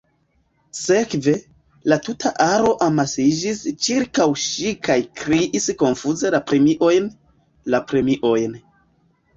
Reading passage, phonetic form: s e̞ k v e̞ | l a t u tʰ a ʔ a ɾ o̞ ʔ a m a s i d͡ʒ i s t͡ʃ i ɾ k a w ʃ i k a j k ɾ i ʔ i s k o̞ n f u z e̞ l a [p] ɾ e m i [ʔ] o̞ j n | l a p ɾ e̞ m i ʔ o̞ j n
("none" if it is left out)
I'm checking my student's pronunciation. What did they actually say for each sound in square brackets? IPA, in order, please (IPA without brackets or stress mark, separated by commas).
p, ʔ